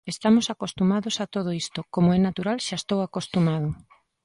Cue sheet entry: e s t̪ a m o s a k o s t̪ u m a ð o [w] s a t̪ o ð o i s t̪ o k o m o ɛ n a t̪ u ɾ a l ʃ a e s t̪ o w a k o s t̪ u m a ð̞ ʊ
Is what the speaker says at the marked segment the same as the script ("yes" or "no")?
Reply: no